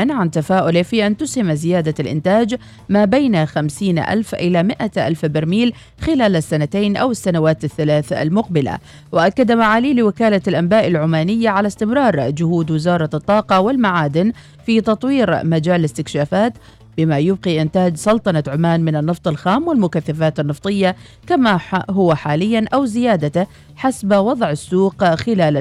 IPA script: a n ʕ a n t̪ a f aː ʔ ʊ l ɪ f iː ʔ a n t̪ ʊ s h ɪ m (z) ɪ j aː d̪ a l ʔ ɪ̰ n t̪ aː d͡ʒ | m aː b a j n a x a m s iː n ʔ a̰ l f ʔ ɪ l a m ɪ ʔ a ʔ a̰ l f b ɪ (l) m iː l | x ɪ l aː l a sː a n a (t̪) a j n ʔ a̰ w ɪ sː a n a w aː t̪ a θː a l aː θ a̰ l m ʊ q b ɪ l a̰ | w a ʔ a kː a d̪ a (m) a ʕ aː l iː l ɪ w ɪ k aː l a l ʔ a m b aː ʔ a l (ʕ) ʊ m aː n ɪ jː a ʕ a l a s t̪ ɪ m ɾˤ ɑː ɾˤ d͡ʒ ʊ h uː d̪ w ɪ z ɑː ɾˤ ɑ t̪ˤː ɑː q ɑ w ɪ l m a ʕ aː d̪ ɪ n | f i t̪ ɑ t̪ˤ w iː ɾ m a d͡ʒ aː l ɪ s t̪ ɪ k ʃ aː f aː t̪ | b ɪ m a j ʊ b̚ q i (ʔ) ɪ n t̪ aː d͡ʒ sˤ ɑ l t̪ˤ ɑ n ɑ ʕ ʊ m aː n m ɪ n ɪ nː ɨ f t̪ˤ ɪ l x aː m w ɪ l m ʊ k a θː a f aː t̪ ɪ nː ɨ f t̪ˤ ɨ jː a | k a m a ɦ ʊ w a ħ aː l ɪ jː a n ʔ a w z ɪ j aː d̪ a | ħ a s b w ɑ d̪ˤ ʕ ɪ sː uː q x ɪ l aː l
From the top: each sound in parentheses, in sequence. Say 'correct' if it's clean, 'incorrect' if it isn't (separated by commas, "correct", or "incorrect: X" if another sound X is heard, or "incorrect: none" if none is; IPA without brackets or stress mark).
correct, incorrect: ɾ, correct, correct, correct, correct